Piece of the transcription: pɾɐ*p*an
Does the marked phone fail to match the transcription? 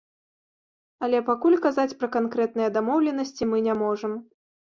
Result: yes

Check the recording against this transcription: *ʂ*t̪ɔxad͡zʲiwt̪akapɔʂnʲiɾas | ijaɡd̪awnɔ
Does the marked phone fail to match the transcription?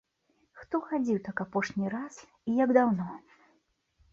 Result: yes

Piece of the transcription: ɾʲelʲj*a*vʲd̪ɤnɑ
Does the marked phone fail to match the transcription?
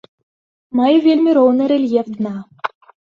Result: yes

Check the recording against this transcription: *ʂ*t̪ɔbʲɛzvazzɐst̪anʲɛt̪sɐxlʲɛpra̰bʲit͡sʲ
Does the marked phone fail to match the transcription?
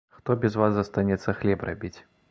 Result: yes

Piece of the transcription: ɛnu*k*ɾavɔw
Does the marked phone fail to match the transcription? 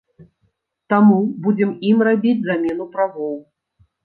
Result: yes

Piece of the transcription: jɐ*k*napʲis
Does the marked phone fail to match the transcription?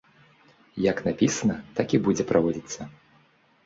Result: no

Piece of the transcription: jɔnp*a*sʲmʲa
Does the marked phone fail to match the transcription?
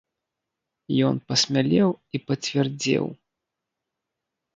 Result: yes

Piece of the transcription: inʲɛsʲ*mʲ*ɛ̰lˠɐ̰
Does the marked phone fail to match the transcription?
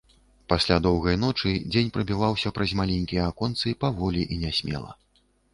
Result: no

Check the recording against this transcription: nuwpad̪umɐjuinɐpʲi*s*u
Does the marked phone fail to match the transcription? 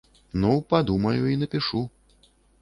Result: yes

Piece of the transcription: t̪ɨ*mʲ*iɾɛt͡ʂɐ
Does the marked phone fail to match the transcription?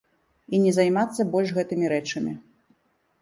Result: no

